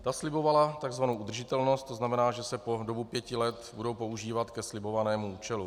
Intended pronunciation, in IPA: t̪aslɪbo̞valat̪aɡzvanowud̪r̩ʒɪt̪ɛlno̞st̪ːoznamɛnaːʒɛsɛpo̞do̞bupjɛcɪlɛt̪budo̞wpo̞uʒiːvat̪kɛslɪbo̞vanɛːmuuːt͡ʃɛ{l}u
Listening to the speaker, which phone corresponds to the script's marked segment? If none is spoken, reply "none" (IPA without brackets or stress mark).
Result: l